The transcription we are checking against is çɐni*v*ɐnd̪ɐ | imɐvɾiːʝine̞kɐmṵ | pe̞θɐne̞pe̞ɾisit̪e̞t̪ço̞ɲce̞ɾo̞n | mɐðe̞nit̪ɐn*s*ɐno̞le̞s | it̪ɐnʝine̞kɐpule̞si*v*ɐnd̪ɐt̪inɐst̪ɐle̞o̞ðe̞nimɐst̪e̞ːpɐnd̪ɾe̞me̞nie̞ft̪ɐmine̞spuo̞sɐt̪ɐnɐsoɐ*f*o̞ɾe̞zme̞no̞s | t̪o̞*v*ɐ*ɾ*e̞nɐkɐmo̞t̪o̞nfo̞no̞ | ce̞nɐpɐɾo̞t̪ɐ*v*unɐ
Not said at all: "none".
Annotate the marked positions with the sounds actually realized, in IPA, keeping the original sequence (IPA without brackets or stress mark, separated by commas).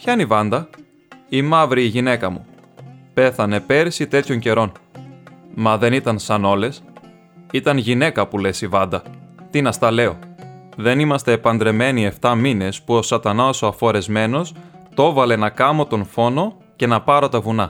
v, s, v, f, v, l, v